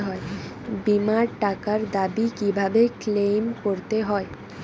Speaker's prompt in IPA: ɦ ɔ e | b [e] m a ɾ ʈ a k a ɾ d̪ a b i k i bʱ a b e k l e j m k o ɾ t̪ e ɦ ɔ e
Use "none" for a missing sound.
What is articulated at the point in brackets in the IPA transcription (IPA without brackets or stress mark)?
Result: i